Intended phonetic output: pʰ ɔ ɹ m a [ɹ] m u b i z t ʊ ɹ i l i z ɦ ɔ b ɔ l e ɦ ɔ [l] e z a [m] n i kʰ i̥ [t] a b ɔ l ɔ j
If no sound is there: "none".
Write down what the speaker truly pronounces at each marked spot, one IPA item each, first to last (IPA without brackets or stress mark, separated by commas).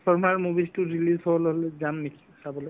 ɹ, l, m, s